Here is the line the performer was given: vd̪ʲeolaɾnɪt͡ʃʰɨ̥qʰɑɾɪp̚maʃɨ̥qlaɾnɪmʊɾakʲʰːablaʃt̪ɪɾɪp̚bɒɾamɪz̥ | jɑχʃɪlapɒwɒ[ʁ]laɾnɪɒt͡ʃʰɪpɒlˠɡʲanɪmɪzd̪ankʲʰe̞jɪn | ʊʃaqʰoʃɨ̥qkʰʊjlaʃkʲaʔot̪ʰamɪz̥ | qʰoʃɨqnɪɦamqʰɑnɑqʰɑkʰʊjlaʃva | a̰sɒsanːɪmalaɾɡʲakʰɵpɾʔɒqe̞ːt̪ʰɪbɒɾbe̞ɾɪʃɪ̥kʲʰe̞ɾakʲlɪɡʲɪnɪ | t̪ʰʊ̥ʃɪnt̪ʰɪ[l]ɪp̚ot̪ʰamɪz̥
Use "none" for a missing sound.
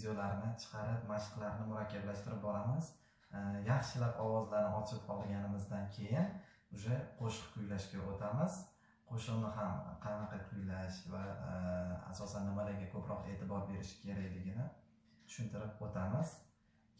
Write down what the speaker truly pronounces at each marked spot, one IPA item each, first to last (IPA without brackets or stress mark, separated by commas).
z, ɾ